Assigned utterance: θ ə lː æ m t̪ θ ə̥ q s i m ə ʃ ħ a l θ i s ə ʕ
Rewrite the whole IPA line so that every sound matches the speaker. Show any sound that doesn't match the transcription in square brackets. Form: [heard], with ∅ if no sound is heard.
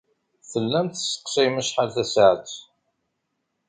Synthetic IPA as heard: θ ə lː æ m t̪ [s] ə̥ q s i m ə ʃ ħ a l θ [æ] s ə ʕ